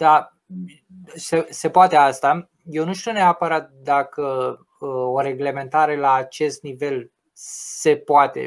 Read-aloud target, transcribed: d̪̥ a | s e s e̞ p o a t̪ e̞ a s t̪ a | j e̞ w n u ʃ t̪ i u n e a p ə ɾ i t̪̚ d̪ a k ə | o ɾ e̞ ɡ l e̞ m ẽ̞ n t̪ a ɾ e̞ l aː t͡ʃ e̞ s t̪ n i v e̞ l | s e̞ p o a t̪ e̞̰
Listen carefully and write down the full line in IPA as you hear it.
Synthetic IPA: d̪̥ a | s e s e̞ p o a t̪ e̞ a s t̪ a | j e̞ w n u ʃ t̪ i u n e a p ə ɾ a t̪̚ d̪ a k ə | o ɾ e̞ ɡ l e̞ m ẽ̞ n t̪ a ɾ e̞ l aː t͡ʃ e̞ s t̪ n i v e̞ l | s e̞ p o a t̪ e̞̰